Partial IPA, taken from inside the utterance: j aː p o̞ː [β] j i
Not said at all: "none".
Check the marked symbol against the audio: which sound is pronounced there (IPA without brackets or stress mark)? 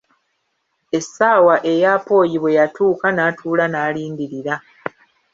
none